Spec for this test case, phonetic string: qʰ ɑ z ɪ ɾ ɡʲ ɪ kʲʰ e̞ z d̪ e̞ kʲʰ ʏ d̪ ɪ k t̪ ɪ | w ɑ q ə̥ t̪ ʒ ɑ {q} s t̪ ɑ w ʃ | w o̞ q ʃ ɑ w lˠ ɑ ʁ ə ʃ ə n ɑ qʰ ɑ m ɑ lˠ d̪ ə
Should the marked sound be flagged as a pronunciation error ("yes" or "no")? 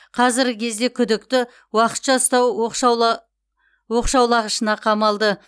yes